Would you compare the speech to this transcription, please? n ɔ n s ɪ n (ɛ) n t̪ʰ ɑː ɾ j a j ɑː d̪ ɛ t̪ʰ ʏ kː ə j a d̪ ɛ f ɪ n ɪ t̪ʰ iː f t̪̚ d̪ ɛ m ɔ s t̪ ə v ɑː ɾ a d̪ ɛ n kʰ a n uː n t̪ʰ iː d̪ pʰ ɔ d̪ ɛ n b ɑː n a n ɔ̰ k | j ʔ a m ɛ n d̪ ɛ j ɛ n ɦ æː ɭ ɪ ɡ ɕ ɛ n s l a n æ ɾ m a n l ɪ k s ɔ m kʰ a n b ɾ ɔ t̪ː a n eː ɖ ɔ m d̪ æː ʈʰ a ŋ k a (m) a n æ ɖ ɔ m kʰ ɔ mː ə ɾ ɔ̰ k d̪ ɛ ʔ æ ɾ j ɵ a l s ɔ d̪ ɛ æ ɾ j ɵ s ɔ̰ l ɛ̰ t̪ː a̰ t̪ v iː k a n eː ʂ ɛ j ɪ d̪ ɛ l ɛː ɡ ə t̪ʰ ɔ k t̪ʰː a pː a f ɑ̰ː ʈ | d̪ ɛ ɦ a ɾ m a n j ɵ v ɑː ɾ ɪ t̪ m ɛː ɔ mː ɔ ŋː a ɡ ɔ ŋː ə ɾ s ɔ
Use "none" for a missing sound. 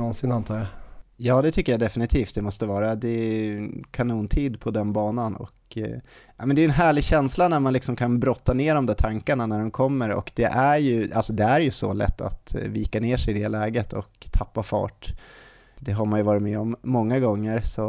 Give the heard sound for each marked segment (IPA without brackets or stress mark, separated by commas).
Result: a, ɳ